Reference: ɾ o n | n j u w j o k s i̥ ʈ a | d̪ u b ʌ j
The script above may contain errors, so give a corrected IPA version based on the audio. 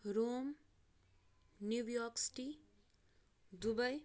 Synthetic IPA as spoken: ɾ o m | n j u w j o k s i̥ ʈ i | d̪ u b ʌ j